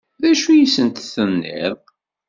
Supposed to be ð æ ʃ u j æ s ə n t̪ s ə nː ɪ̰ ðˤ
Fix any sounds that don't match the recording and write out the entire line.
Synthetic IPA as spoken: ð æ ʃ u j i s ə n t̪ θ ə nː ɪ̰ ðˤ